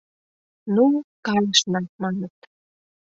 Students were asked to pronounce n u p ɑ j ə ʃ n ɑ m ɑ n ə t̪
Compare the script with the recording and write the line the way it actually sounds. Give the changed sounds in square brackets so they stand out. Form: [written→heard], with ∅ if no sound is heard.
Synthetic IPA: n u [p→k] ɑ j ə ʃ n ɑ m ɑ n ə t̪